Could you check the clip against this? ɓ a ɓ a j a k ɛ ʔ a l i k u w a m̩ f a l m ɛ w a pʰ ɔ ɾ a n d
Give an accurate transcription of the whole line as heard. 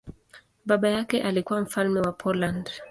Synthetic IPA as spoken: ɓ a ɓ a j a k ɛ ʔ a l i k u w a m̩ f a l m ɛ w a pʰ ɔ l a n d

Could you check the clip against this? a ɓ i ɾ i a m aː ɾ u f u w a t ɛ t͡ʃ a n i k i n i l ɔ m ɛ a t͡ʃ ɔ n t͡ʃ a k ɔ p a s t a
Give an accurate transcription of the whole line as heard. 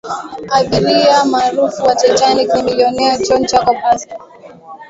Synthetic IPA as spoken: a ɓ i ɾ i a m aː ɾ u f u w a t ɛ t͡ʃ a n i k i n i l ɔ n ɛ a t͡ʃ ɔ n t͡ʃ a k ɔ p a s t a

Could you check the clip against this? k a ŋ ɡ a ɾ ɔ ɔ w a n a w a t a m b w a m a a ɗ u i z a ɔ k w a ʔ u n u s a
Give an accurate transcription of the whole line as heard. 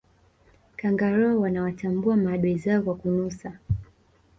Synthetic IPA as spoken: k a ŋ ɡ a ɾ ɔ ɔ w a n a w a t a m b u a m a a ɗ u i z a ɔ k w a k u n u s a

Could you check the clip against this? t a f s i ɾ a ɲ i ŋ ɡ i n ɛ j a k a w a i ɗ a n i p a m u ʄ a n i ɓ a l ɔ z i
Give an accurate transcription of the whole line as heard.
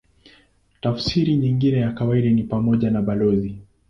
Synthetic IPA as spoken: t a f s i ɾ i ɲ i ŋ ɡ i n ɛ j a k a w a i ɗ a n i p a m ɔ ʄ a n a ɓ a l ɔ z i

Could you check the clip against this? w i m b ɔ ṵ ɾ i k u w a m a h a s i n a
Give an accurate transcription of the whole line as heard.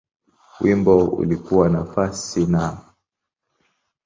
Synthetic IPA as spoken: w i m b ɔ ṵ l i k u w a n a f a s i n a

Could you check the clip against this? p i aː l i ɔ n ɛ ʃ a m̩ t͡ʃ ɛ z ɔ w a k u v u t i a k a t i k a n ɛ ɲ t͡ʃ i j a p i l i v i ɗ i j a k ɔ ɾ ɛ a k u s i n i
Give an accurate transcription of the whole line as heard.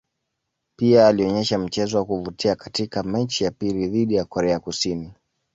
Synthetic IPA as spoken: p i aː l i ɔ ɲ ɛ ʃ a m̩ t͡ʃ ɛ z ɔ w a k u v u t i a k a t i k a m ɛ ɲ t͡ʃ i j a p i l i ð i ɗ i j a k ɔ ɾ ɛ a k u s i n i

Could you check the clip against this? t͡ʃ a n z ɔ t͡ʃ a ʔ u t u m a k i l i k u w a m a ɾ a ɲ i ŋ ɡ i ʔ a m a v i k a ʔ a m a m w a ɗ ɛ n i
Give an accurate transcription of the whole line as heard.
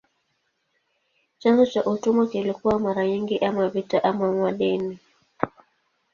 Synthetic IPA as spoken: t͡ʃ a n z ɔ t͡ʃ a ʔ u t u m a k i l i k u w a m a ɾ a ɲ i ŋ ɡ i ʔ a m a v i t a ʔ a m a m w a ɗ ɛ n i

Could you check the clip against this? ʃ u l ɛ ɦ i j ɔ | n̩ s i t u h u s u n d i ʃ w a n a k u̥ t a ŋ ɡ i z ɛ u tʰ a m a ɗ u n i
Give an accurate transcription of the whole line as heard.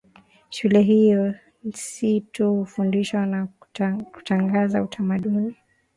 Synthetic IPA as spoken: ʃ u l ɛ ɦ i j ɔ | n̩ s i t u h u f u n d i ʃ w a n a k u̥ t a ŋ ɡ a z a u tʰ a m a ɗ u n i

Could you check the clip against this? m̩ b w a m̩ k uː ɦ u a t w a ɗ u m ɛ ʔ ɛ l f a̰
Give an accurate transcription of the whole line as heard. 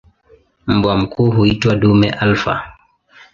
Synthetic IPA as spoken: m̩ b w a m̩ k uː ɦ u i t w a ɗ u m ɛ ʔ a l f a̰

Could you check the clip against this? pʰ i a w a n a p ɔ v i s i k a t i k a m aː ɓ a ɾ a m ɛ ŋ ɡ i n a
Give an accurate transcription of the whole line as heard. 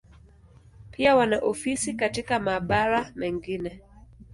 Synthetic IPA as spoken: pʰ i a w a n a ʔ ɔ f i s i k a t i k a m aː ɓ a ɾ a m ɛ ŋ ɡ i n ɛ

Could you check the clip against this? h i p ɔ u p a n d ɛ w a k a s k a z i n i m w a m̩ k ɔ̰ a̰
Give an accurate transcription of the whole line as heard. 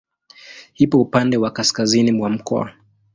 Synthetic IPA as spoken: h i p ɔ u p a n d ɛ w a k a s k a z i n i m w a m̩ k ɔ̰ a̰

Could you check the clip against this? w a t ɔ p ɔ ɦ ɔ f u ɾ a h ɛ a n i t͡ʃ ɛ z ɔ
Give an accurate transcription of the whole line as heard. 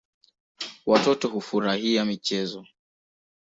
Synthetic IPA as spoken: w a t ɔ t ɔ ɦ u f u ɾ a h i a m i t͡ʃ ɛ z ɔ

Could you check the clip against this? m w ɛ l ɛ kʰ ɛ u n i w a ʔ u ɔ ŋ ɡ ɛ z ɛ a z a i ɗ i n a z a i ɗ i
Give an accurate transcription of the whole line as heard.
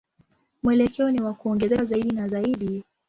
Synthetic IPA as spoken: m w ɛ l ɛ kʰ ɛ ɔ n i w a k u ɔ ŋ ɡ ɛ z ɛ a z a i ɗ i n a z a i ɗ i

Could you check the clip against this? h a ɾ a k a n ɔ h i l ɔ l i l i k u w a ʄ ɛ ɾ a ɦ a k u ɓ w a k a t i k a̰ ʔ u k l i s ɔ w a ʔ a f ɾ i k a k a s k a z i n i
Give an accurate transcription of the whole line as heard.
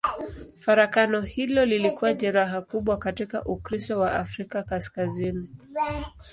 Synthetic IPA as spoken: f a ɾ a k a n ɔ h i l ɔ l i l i k u w a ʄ ɛ ɾ a ɦ a k u ɓ w a k a t i k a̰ ʔ u k ɾ i s ɔ w a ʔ a f ɾ i k a k a s k a z i n i

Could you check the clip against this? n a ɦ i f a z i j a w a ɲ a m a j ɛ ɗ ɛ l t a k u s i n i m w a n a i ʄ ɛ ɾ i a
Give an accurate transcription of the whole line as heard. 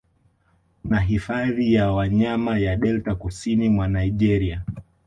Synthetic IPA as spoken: n a ɦ i f a ð i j a w a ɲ a m a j a ɗ ɛ l t a k u s i n i m w a n a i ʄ ɛ ɾ i a

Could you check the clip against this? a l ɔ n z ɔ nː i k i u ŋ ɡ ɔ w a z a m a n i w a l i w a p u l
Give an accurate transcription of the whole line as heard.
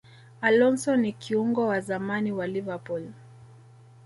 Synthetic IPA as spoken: a l ɔ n s ɔ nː i k i u ŋ ɡ ɔ w a z a m a n i w a l i v a p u l

